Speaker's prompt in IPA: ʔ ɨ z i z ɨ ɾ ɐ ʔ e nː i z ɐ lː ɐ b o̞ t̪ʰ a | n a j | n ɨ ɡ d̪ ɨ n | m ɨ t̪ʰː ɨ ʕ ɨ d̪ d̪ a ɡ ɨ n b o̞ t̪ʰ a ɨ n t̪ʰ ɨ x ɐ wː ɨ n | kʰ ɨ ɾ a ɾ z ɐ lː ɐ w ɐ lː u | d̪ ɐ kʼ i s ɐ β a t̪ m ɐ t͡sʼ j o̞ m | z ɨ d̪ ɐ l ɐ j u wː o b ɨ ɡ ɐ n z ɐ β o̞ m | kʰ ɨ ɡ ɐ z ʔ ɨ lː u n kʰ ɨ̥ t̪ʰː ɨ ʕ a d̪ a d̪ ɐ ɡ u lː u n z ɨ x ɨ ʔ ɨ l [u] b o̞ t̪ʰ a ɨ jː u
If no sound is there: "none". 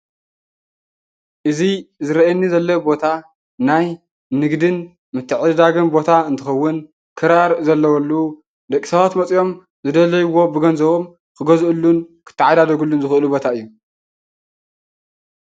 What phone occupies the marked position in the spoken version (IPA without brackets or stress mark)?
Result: u